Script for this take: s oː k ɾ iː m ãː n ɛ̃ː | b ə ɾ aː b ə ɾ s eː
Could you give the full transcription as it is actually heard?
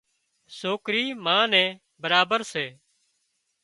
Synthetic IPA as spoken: s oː k ɾ iː m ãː n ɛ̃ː | b ə ɾ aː b ə ɾ s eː